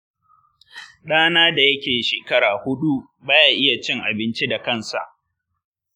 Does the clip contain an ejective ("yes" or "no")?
no